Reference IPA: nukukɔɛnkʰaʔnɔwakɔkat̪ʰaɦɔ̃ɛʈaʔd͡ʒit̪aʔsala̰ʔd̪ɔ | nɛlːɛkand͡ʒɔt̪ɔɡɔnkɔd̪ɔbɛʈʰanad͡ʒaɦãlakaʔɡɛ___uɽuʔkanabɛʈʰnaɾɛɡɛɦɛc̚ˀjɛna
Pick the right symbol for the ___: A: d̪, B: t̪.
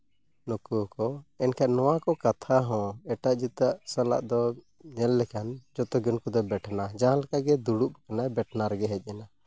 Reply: A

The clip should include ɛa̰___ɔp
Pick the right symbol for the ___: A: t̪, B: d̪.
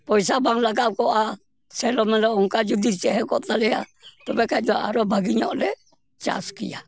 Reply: A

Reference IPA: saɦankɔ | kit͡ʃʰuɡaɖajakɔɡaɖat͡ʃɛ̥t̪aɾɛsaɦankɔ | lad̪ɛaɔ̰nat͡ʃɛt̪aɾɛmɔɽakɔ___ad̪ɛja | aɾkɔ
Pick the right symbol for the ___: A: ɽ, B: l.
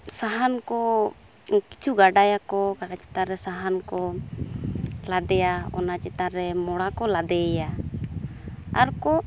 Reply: B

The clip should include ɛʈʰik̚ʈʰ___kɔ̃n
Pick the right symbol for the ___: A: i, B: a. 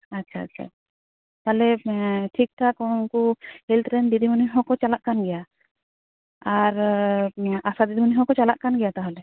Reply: B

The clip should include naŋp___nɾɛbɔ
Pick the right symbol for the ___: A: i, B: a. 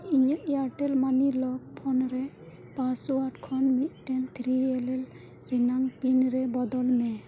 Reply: A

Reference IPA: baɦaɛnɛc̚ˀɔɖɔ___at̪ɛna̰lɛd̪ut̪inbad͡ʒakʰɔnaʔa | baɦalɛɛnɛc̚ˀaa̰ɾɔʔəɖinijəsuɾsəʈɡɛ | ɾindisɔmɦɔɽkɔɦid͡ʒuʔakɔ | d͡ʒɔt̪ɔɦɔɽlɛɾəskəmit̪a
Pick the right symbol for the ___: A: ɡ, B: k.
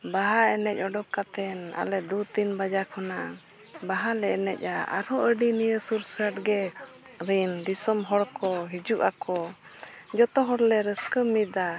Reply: B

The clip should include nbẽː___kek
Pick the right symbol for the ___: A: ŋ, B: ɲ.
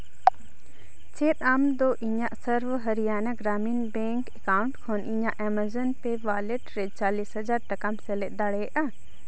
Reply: A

